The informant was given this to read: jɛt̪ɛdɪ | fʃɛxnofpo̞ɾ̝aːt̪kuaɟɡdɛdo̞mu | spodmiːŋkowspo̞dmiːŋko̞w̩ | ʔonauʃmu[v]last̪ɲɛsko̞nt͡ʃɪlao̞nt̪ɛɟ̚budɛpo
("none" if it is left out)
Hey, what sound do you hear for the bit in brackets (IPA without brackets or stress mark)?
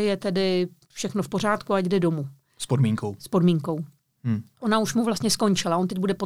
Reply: v